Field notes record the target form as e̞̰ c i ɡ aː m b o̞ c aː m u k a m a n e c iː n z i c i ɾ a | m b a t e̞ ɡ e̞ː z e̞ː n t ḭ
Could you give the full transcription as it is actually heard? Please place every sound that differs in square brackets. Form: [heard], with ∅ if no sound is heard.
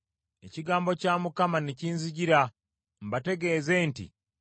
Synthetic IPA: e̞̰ c i ɡ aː m b o̞ c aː m u k a m a n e c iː n z i [ɟ] i ɾ a | m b a t e̞ ɡ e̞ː z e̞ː n t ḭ

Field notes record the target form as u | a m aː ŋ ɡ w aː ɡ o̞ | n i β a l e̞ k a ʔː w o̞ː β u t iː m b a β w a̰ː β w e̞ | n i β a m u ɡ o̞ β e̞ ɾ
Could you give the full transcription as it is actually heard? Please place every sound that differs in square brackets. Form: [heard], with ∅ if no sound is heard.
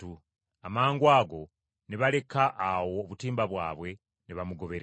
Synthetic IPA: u | a m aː ŋ ɡ w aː ɡ o̞ | n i β a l e̞ k a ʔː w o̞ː β u t iː m b a β w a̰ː β w e̞ | n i β a m u ɡ o̞ β e̞ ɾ

